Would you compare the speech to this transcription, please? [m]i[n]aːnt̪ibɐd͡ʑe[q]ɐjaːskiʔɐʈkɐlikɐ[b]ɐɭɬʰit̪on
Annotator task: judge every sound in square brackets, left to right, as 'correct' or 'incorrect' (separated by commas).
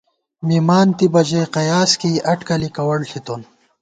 correct, incorrect, correct, incorrect